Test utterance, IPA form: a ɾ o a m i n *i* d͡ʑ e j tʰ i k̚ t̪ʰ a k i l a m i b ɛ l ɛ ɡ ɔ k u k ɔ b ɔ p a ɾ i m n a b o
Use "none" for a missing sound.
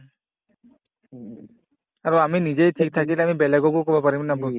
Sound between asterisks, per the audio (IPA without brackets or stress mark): i